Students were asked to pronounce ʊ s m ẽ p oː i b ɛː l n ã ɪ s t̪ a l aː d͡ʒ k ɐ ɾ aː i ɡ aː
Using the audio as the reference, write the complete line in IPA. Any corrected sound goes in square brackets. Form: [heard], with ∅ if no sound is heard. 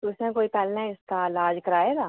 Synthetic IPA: ʊ s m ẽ [k] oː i [p] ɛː l n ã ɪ s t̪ a l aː d͡ʒ k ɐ ɾ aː [e] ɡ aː

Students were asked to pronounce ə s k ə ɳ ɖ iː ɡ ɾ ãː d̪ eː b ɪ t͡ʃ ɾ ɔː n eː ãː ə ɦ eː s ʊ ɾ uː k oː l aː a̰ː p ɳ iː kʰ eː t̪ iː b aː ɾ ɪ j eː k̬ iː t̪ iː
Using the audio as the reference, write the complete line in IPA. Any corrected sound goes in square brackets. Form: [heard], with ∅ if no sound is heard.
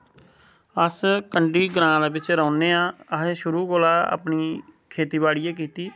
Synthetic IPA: ə s k ə ɳ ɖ iː ɡ ɾ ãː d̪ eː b ɪ t͡ʃ ɾ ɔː n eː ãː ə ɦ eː [ʃ] ʊ ɾ uː k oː l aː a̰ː p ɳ iː kʰ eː t̪ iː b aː [ɽ] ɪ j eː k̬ iː t̪ iː

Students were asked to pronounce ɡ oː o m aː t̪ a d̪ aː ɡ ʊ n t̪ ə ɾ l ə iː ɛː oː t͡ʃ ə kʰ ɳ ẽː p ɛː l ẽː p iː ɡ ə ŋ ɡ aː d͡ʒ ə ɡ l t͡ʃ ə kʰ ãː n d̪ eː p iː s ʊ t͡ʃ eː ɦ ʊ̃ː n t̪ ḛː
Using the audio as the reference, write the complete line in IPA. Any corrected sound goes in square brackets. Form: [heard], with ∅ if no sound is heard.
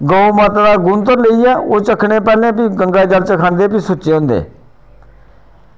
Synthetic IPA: ɡ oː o m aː t̪ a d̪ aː ɡ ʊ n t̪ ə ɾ l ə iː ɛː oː t͡ʃ ə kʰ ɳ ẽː p ɛː l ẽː p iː ɡ ə ŋ ɡ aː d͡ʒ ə [∅] l t͡ʃ ə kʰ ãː n d̪ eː p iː s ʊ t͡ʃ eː ɦ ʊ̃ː n [d̪] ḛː

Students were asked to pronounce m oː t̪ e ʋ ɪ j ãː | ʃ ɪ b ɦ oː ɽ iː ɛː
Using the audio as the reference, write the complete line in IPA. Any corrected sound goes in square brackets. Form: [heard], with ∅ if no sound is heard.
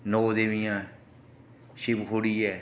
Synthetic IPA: [n] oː [d̪] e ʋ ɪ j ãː | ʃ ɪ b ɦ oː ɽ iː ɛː

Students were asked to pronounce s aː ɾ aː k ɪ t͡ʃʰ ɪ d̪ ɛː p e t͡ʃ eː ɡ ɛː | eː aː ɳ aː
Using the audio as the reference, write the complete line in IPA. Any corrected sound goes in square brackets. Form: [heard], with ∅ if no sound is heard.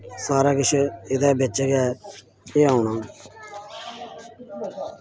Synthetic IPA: s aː ɾ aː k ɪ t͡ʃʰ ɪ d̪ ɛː [b] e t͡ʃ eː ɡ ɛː | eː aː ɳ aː

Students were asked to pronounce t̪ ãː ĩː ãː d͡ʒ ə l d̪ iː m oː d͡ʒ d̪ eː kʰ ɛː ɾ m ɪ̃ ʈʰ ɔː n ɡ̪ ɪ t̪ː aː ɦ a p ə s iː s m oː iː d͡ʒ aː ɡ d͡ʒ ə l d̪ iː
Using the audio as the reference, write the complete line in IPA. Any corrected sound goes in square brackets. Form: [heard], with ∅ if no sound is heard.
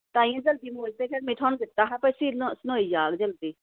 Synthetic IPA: t̪ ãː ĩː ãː d͡ʒ ə l d̪ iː m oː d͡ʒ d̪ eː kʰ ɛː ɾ m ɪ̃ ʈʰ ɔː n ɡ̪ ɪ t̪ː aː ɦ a p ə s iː s [n] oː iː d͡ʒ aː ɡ d͡ʒ ə l d̪ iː

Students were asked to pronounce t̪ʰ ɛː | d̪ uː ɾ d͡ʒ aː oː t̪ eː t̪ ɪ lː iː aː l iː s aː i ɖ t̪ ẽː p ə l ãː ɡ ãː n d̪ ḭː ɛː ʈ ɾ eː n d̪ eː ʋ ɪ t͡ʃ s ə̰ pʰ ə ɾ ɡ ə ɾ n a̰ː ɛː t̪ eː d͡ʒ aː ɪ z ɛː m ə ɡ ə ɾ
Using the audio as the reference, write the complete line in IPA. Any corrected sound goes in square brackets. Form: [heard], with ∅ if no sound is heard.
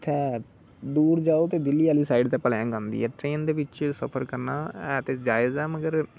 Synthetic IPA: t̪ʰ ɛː | d̪ uː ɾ d͡ʒ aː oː t̪ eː [d̪] ɪ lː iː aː l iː s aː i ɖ t̪ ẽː p ə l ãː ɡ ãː n d̪ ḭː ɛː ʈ ɾ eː n d̪ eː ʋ ɪ t͡ʃ s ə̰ pʰ ə ɾ [k] ə ɾ n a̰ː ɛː t̪ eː d͡ʒ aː ɪ z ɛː m ə ɡ ə ɾ

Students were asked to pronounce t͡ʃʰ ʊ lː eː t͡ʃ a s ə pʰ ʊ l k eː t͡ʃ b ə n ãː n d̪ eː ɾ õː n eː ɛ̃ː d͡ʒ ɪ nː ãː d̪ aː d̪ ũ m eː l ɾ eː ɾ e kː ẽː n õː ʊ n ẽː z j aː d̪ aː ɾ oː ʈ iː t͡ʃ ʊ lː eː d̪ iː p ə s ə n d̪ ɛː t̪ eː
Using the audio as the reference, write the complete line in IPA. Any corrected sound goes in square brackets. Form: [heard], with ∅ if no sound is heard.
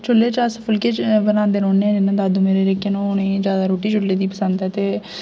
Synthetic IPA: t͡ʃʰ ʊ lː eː t͡ʃ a s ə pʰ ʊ l k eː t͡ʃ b ə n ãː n d̪ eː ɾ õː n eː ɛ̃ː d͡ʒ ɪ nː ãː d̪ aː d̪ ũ m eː [∅] ɾ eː ɾ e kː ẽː n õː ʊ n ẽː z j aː d̪ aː ɾ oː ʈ iː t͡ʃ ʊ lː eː d̪ iː p ə s ə n d̪ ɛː t̪ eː

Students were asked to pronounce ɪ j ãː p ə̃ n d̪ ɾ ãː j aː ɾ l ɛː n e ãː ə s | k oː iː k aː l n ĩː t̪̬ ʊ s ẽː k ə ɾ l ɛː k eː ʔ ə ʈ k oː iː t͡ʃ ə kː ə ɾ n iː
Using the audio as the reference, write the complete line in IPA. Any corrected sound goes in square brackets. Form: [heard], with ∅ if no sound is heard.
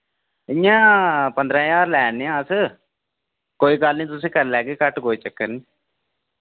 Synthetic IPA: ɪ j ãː p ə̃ n d̪ ɾ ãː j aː ɾ l ɛː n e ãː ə s | k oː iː k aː l n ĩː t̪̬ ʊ s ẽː k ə ɾ l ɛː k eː [k] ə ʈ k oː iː t͡ʃ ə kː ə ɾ n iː

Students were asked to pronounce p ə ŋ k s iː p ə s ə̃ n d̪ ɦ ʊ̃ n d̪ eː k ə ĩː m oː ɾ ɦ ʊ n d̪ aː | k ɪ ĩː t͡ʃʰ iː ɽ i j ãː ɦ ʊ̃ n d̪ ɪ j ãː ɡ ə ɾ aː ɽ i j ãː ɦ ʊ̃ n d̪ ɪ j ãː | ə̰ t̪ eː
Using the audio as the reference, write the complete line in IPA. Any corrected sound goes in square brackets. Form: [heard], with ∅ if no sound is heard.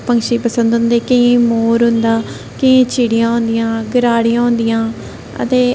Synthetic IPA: p ə ŋ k [ʃ] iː p ə s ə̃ n d̪ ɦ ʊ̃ n d̪ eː k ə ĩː m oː ɾ ɦ ʊ n d̪ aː | k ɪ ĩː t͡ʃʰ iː ɽ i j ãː ɦ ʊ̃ n d̪ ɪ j ãː ɡ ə ɾ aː ɽ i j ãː ɦ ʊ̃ n d̪ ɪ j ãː | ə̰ t̪ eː

